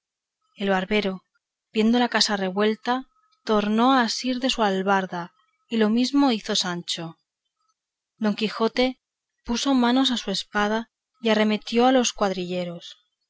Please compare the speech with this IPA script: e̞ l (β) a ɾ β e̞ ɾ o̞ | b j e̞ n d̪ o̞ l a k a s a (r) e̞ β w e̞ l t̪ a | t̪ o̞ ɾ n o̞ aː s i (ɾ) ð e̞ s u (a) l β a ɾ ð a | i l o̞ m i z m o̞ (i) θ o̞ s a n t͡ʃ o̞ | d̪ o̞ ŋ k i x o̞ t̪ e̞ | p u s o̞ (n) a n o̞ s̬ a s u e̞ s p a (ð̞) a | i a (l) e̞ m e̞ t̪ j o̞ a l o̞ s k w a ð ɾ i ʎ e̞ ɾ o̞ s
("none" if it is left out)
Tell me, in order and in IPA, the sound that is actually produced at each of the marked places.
β, r, ɾ, a, i, m, ð̞, r

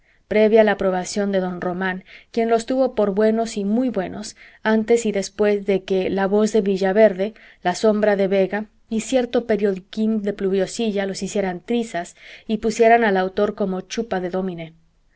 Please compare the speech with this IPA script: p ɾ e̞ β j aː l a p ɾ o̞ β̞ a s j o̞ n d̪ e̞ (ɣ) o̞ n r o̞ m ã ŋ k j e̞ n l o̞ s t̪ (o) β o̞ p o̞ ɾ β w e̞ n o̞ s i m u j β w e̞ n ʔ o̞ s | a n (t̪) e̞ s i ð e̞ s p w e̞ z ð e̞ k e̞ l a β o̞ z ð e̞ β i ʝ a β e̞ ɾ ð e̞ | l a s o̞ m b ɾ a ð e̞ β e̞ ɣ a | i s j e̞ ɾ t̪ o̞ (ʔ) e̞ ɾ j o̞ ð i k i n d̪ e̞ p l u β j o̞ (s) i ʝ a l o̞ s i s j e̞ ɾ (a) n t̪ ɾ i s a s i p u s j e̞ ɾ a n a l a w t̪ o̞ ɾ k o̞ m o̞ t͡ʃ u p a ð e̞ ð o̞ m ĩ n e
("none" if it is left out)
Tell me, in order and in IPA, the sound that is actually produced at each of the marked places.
ð, u, t̪, p, s, a

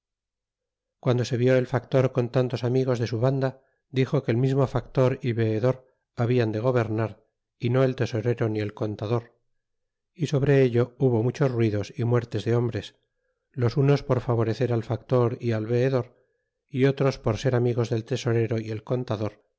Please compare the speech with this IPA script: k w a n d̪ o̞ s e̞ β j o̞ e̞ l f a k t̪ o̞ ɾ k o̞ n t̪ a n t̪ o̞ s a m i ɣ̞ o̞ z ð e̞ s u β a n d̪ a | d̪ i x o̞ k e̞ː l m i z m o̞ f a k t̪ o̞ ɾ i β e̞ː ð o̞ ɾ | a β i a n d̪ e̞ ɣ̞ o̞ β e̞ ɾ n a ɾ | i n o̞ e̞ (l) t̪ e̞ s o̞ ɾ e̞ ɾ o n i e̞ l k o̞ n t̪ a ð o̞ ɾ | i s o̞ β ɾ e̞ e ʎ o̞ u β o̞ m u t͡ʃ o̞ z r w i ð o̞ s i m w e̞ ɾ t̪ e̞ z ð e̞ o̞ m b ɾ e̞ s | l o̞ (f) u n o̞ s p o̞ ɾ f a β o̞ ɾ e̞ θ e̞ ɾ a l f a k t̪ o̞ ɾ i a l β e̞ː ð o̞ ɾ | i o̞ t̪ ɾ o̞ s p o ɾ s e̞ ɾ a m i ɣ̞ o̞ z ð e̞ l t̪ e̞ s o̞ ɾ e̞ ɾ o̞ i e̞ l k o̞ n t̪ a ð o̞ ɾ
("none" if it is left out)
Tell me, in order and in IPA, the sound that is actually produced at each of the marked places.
l, s

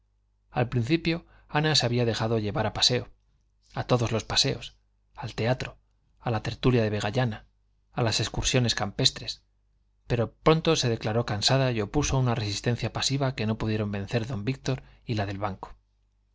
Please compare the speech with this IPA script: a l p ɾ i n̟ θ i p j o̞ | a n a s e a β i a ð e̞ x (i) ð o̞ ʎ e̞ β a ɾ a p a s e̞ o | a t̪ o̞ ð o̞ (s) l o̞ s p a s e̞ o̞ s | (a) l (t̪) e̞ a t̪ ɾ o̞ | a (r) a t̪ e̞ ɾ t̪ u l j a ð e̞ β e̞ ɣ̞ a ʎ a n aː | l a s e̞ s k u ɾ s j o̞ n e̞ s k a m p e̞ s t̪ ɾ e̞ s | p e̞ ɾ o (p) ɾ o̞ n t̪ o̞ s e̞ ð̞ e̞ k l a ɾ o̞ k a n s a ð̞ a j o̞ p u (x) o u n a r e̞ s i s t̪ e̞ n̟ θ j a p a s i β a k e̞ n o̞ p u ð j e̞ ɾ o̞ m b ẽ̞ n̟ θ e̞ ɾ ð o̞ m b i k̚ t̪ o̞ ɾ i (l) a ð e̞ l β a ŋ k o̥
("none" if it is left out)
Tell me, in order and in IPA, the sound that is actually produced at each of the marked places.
a, z, a, t̪, l, p, s, l

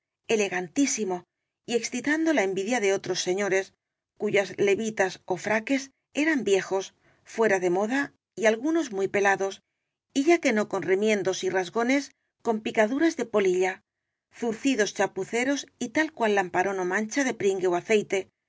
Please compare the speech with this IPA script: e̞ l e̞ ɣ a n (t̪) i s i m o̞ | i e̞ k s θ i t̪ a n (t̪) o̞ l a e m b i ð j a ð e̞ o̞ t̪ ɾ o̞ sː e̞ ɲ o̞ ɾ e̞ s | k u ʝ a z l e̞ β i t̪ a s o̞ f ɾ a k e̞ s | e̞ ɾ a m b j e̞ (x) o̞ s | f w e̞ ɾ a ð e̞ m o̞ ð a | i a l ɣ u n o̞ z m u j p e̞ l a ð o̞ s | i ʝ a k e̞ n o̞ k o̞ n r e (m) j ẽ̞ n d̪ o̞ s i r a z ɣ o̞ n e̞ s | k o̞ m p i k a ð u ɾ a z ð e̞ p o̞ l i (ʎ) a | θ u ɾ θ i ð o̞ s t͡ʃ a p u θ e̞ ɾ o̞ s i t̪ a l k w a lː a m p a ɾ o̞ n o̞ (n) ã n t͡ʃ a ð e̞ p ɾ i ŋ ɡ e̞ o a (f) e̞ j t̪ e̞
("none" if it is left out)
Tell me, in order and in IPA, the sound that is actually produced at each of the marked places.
t̪, d̪, x, m, ʎ, m, θ

